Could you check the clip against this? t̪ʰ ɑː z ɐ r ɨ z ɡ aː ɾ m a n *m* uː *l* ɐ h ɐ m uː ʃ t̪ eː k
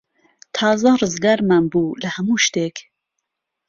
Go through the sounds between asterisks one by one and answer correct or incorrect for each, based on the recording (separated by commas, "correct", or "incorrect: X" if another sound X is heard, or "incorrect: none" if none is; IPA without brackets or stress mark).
incorrect: b, correct